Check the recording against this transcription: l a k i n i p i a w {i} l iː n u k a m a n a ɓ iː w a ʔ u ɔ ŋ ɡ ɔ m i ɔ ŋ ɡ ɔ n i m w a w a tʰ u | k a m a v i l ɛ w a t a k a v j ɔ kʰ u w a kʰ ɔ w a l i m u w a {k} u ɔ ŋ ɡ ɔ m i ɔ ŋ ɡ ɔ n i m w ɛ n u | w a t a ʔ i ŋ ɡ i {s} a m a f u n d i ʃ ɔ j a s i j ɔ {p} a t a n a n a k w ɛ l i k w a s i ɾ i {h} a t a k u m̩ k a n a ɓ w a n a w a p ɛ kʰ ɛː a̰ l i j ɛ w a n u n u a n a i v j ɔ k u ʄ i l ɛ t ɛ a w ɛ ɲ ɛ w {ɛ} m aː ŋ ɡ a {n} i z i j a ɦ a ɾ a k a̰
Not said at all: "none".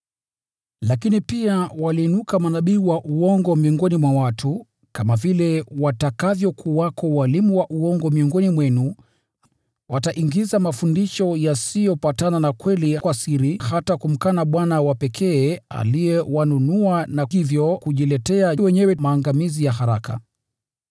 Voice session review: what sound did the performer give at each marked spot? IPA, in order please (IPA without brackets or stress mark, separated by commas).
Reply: a, ʔ, z, p, h, ɛ, m